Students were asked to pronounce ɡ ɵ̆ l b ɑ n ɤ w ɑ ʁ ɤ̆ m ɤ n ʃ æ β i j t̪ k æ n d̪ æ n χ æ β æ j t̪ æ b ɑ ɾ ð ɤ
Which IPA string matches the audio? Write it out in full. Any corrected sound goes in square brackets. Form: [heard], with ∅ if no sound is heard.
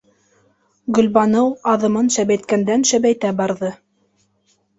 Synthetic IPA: ɡ ɵ̆ l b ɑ n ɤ w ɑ [ð] ɤ̆ m ɤ n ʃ æ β [æ] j t̪ k æ n d̪ æ n [ʃ] æ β æ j t̪ æ b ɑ ɾ ð ɤ